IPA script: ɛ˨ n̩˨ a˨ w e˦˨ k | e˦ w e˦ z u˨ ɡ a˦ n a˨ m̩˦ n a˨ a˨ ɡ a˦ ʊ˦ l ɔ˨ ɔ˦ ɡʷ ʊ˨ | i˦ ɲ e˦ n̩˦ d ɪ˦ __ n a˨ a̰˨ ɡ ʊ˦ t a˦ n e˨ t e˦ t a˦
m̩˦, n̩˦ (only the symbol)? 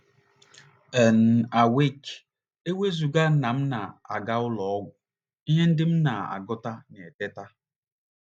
m̩˦